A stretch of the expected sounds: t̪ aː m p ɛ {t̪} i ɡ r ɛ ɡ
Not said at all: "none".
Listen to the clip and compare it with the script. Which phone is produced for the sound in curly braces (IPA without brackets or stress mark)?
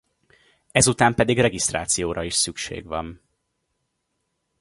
d̪